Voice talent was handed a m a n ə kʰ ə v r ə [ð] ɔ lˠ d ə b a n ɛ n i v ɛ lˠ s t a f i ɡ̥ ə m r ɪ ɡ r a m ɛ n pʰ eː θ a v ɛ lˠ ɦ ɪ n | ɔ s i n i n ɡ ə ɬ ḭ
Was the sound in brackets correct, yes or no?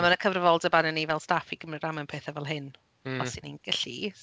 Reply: no